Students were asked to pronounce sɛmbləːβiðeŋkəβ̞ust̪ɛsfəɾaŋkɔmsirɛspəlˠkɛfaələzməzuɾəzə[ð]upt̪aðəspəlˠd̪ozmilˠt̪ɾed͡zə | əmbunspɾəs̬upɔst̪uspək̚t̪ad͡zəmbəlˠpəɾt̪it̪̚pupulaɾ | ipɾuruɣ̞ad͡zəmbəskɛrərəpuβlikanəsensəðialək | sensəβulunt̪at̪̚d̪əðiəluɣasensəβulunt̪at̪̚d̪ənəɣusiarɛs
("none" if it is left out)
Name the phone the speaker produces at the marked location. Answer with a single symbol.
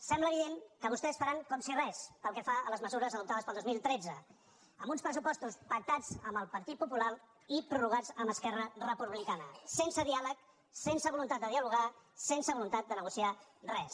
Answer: ð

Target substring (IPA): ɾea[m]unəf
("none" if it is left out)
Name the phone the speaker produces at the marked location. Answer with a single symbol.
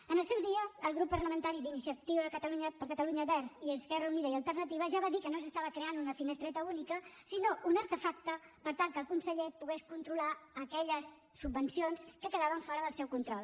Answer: n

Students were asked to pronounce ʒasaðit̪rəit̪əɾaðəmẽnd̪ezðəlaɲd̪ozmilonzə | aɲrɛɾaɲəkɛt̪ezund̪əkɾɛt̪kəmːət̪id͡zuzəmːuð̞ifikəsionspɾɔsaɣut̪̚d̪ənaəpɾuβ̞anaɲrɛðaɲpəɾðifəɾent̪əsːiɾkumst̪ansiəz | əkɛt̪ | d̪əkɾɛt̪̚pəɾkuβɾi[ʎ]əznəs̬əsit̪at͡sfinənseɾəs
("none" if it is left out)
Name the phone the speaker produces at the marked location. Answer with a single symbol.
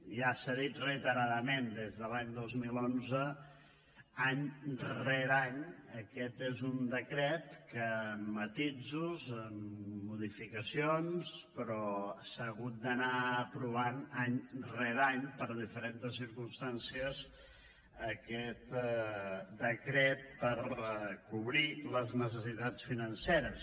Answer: l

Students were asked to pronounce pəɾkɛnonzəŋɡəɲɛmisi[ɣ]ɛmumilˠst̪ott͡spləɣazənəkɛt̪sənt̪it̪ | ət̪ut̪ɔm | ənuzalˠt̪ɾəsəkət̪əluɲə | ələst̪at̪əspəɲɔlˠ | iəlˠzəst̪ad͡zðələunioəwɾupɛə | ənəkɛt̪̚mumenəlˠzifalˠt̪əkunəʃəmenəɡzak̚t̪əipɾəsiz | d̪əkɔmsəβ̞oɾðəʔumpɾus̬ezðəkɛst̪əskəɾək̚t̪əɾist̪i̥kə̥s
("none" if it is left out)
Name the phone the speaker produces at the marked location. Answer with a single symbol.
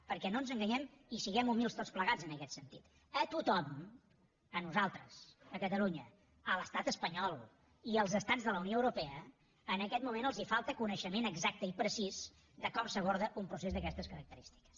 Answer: ɣ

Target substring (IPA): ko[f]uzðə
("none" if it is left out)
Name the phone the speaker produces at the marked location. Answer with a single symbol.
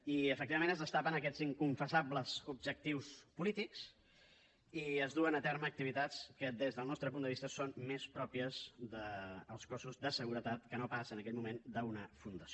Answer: s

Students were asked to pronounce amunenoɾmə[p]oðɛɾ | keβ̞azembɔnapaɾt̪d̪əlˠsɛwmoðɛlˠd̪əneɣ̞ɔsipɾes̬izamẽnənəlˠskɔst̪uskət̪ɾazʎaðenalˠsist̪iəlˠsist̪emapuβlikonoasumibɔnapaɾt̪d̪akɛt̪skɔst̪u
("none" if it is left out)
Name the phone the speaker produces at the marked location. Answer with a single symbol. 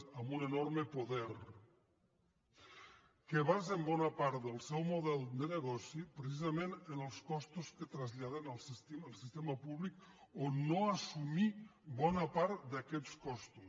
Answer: p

